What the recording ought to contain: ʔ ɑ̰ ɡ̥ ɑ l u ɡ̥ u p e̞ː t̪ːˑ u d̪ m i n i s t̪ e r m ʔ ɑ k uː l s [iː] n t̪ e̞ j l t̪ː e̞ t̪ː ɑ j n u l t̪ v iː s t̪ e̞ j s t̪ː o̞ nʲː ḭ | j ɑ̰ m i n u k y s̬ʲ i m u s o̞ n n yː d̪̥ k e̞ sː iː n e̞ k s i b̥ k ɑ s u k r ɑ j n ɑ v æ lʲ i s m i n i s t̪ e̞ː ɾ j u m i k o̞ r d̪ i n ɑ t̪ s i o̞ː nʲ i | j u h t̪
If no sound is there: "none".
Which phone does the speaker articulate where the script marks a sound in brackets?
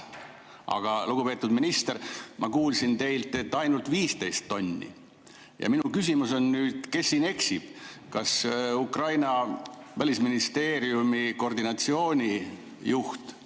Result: i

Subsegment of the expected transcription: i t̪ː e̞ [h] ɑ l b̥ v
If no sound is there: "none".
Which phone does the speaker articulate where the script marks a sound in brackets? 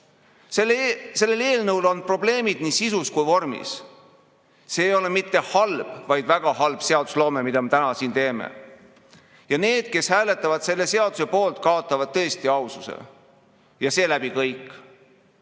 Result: h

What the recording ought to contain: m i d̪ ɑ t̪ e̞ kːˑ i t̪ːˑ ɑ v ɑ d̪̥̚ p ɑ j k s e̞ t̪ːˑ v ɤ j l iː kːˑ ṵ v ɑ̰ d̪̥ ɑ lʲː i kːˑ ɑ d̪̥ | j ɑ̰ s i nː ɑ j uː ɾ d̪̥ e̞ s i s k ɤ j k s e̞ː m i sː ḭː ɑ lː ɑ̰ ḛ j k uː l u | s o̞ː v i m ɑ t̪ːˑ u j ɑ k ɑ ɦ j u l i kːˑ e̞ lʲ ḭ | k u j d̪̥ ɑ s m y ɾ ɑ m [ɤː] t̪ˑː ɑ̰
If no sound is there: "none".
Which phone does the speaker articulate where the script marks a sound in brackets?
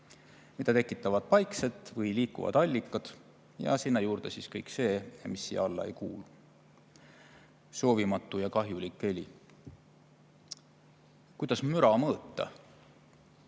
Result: ɤː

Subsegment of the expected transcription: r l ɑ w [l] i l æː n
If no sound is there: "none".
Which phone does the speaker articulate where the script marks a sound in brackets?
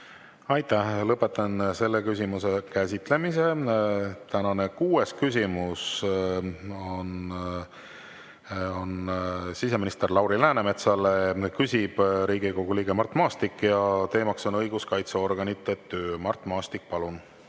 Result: ɾ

